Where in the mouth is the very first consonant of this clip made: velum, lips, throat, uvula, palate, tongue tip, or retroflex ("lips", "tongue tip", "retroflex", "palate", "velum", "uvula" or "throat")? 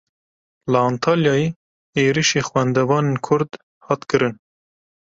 tongue tip